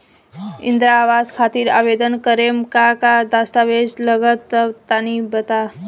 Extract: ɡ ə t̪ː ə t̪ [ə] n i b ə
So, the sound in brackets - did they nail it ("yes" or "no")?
no